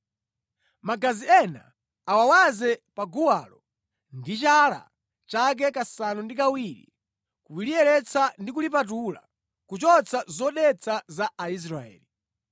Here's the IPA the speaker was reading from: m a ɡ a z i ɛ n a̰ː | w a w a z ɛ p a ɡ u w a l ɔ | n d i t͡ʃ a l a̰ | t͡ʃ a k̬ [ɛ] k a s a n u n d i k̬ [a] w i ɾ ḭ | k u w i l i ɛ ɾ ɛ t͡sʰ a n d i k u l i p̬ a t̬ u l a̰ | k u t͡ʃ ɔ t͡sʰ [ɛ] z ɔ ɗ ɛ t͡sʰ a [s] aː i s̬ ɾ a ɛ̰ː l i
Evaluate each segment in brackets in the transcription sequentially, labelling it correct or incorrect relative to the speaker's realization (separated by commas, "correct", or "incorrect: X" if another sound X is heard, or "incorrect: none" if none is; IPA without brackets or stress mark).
correct, correct, incorrect: a, incorrect: z